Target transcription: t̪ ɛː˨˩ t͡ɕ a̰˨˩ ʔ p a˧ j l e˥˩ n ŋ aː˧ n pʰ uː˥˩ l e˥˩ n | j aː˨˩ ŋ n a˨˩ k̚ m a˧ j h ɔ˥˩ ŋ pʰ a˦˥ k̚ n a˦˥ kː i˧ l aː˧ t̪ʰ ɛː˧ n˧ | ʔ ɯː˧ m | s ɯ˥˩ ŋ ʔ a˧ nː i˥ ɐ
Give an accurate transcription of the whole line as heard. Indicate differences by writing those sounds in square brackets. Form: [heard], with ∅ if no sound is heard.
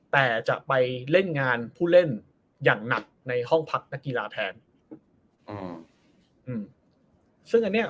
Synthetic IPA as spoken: t̪ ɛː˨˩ t͡ɕ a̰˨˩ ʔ p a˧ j l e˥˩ n ŋ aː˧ n pʰ uː˥˩ l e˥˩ n | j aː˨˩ ŋ n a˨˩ k̚ [n] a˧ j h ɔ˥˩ ŋ pʰ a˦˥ k̚ n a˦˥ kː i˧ l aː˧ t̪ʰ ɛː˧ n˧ | ʔ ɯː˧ m | s ɯ˥˩ ŋ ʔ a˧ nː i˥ ɐ